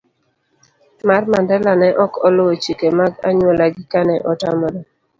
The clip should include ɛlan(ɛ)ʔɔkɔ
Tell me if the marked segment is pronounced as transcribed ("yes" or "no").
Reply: yes